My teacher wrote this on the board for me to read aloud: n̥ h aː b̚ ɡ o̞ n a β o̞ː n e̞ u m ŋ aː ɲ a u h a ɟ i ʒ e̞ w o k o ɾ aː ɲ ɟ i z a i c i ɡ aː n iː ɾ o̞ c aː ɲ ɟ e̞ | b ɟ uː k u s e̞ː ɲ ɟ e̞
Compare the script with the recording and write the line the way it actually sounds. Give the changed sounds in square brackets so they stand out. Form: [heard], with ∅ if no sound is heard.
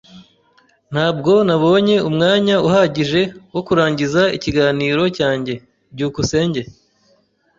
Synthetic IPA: n̥ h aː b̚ ɡ o̞ n a β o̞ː [ɲ] e̞ u m ŋ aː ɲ a u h a ɟ i ʒ e̞ w o k [u] ɾ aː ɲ ɟ i z a i c i ɡ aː n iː ɾ o̞ c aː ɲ ɟ e̞ | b ɟ uː k u s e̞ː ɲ ɟ e̞